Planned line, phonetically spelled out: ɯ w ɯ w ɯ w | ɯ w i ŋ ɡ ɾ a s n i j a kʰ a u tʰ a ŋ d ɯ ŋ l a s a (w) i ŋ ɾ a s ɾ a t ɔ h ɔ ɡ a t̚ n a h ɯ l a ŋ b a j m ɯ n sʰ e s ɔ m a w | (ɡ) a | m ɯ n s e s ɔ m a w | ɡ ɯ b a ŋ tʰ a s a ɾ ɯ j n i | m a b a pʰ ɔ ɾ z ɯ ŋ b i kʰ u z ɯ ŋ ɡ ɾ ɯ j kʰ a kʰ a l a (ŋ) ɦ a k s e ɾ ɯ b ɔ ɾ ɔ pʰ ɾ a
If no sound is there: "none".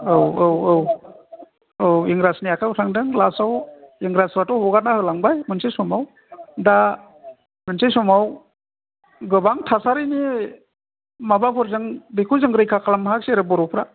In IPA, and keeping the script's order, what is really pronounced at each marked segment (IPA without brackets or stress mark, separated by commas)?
w, d, m